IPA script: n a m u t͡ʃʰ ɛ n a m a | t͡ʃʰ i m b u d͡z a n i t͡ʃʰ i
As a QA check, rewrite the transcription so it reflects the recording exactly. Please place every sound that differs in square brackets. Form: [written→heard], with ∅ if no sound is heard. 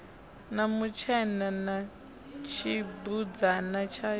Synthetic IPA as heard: n a m u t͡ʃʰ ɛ n a [m→n] a | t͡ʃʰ i [m→∅] b u d͡z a n [i→a] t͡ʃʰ [i→a]

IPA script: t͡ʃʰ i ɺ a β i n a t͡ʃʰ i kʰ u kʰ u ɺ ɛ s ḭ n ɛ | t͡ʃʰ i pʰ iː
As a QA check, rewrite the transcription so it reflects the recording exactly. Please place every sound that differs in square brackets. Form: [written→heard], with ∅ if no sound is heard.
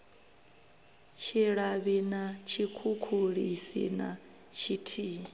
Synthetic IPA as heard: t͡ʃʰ i ɺ a β i n a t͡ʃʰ i kʰ u kʰ u ɺ [ɛ→i] s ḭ n [ɛ→a] | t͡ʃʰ i [pʰ→tʰ] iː

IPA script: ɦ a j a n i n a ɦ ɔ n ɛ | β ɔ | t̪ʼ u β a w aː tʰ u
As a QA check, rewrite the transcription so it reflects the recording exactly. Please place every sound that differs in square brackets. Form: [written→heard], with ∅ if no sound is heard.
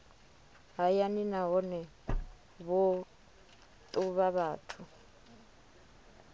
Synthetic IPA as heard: ɦ a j a n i n a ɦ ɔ n ɛ | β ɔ | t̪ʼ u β a [w→β] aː tʰ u

